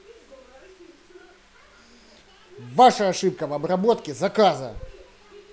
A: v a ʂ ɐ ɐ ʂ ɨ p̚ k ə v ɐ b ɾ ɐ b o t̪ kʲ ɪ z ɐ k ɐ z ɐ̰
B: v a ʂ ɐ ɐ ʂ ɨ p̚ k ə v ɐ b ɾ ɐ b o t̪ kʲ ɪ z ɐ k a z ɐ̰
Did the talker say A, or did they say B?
B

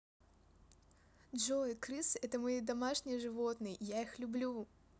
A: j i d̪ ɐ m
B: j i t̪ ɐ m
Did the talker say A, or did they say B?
A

